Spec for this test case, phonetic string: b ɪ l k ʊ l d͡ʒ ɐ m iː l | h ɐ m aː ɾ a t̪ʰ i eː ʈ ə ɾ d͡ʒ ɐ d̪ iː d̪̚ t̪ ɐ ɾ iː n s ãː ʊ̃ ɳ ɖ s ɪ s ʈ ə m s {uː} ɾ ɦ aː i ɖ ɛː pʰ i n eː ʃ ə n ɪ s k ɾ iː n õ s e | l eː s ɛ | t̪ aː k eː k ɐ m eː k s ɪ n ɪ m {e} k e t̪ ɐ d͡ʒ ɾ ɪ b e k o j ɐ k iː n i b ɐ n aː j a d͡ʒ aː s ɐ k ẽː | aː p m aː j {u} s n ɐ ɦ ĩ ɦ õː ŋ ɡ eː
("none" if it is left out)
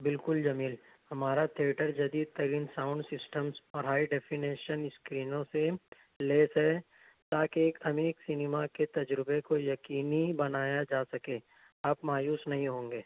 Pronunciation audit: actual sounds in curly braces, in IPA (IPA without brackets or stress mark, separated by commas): ɔː, a, uː